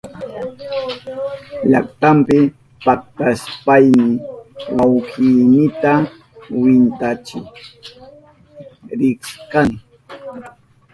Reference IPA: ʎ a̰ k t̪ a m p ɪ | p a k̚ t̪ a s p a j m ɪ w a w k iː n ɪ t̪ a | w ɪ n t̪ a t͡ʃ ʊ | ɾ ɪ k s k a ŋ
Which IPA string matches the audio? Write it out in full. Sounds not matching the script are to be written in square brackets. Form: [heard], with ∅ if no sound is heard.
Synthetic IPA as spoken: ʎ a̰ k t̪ a m p ɪ | p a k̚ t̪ a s p a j m ɪ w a w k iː n ɪ t̪ a | w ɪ n t̪ a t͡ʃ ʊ | ɾ ɪ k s k a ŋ